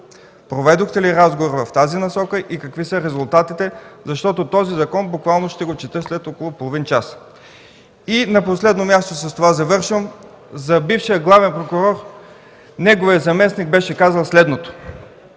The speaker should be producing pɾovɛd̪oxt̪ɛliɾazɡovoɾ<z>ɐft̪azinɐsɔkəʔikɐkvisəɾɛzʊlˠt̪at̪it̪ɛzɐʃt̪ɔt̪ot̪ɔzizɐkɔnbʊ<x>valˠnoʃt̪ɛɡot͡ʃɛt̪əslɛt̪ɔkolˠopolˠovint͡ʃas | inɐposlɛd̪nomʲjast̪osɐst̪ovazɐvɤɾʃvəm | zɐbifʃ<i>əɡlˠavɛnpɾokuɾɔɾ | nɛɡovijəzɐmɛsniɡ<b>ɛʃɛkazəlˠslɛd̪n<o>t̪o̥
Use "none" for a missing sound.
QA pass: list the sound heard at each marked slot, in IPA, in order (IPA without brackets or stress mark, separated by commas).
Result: v, k, i, b, o